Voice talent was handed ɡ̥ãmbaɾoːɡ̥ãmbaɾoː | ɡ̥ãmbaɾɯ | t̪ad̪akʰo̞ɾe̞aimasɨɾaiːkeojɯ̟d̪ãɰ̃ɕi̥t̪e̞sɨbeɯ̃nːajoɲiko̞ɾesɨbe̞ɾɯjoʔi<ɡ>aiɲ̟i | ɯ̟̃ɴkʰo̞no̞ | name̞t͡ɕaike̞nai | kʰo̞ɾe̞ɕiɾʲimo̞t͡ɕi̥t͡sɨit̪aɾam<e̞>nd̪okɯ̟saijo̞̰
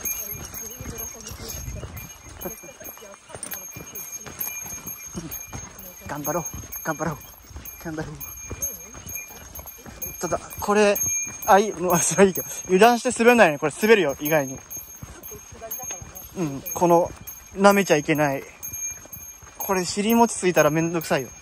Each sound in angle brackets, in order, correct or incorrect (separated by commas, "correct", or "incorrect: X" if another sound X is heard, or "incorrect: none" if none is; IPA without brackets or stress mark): correct, incorrect: ẽ̞